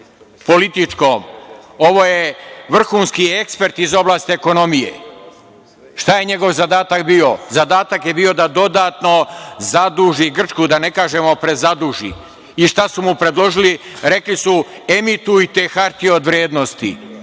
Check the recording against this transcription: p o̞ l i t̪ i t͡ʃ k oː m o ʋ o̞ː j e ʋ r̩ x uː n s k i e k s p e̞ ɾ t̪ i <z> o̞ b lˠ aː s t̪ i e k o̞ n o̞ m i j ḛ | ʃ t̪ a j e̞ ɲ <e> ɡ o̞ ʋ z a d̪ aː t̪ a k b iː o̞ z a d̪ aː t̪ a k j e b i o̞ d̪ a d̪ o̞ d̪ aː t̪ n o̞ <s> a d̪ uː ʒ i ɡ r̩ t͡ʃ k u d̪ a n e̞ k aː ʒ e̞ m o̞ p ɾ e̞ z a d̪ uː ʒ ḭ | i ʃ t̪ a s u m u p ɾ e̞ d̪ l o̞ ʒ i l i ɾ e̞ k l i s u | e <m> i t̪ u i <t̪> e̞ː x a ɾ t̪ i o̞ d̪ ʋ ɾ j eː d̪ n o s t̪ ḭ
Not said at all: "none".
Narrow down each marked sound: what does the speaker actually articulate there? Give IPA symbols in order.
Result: z, e, z, m, t̪

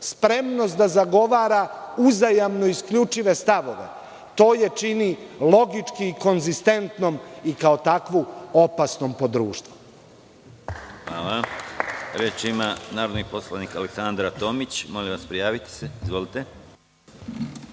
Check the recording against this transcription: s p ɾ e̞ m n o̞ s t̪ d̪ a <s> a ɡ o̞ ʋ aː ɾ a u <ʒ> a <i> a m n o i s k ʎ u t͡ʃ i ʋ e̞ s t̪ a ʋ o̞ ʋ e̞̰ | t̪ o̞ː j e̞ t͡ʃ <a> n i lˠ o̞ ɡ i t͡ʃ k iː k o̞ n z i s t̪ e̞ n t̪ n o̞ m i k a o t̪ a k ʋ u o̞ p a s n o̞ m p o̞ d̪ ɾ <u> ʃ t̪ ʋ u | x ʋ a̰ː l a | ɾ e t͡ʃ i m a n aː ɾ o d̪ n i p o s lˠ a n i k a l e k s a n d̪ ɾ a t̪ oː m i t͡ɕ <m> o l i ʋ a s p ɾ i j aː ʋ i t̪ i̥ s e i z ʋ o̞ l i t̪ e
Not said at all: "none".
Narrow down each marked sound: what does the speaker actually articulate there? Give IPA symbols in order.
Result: z, z, j, i, uː, m

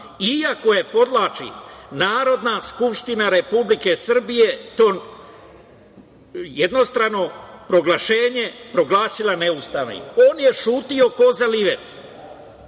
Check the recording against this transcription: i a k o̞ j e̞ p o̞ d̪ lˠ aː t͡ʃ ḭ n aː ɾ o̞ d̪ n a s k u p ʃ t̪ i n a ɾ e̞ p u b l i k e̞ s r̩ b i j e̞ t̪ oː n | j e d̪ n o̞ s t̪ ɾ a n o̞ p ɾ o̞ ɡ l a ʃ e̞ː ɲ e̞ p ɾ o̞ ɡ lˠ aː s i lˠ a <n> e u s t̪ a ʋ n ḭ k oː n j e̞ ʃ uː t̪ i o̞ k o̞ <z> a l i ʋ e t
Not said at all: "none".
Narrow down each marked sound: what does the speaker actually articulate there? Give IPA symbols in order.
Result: n, z

